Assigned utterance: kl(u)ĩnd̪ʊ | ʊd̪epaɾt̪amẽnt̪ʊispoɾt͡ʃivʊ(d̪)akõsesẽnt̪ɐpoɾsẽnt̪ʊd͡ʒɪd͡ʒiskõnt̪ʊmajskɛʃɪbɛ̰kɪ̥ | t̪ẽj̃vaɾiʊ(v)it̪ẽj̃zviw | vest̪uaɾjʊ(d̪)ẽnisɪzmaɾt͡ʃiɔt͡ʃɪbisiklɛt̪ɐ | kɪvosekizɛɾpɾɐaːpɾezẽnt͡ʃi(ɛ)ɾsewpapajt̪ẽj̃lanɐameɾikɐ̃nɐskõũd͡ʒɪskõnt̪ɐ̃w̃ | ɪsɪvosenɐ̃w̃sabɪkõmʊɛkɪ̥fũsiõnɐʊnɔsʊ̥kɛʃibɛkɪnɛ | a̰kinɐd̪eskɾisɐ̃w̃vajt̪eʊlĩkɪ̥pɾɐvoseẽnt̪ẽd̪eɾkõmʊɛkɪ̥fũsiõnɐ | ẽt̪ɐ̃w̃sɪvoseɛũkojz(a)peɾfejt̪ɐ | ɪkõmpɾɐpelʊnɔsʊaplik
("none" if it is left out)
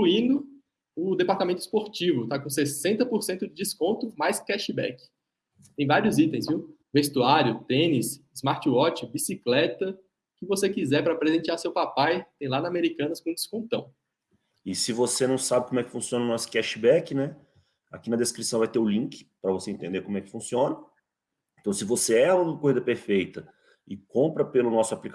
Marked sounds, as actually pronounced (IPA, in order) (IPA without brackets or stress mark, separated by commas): u, t̪, z, t̪, a, ɐ